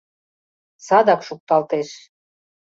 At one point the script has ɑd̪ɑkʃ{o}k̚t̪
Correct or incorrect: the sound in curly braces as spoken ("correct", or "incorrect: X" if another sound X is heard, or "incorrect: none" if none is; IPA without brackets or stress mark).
incorrect: u